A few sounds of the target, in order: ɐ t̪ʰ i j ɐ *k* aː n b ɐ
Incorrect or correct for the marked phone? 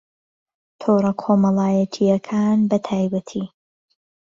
incorrect: kʰ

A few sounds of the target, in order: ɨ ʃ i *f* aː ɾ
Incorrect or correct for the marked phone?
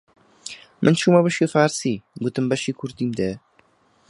correct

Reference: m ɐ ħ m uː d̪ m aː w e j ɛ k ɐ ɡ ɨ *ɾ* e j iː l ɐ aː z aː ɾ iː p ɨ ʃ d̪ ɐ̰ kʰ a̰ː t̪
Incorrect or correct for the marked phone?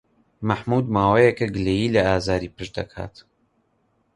incorrect: l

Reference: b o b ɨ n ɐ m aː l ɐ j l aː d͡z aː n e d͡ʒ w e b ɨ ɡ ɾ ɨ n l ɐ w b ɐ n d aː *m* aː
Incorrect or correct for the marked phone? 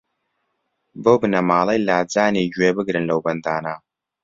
incorrect: n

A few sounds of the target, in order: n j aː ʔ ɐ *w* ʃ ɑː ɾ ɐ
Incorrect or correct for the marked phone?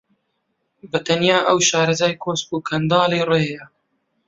correct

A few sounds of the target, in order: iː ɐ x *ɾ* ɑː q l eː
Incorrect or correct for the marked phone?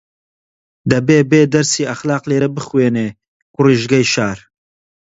incorrect: l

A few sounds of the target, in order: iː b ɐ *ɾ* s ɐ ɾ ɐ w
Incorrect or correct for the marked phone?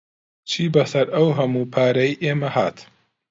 incorrect: none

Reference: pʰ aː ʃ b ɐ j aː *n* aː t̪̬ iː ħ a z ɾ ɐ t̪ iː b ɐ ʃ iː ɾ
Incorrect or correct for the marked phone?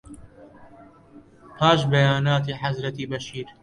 correct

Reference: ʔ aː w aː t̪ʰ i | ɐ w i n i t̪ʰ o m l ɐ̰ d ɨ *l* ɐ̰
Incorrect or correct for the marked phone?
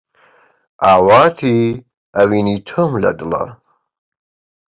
correct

